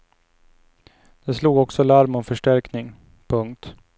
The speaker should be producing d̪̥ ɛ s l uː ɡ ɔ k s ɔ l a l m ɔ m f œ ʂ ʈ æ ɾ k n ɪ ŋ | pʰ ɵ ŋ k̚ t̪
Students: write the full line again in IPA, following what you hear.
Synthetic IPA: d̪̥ ɛ s l uː ɡ ɔ k s ɔ l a ɾ m ɔ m f œ ʂ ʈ æ ɾ k n ɪ ŋ | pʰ ɵ ŋ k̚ t̪